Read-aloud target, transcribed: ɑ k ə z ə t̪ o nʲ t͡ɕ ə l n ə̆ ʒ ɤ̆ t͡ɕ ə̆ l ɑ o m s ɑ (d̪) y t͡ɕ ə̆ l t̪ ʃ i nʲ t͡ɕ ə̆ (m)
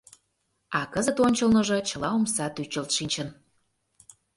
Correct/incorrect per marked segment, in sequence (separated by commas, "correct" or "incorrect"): incorrect, incorrect